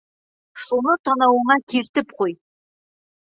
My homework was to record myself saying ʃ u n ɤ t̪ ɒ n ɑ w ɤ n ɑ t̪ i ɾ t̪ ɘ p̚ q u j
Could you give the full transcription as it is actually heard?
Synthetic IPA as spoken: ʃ u n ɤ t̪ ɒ n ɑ w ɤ ɴ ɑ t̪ i ɾ t̪ ɘ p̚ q u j